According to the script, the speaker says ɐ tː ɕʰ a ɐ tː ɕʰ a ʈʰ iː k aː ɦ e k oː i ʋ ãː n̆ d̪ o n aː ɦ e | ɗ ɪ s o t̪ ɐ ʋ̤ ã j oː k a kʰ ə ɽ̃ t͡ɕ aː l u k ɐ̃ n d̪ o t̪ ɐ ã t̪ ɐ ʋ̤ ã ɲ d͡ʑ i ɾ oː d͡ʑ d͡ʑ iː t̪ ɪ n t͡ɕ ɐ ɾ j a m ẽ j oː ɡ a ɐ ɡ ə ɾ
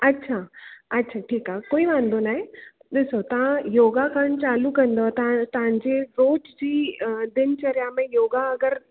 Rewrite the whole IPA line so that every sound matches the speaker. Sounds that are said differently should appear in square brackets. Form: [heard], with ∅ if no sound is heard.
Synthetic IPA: ɐ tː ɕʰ a ɐ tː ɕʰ a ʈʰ iː k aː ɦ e k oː i ʋ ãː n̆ d̪ o n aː ɦ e | ɗ ɪ s o t̪ ɐ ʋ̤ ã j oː [ɡ] a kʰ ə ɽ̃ t͡ɕ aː l u k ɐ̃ n d̪ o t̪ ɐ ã t̪ ɐ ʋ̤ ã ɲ d͡ʑ [e] ɾ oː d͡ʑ d͡ʑ iː [d̪] ɪ n t͡ɕ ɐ ɾ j a m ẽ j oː ɡ a ɐ ɡ ə ɾ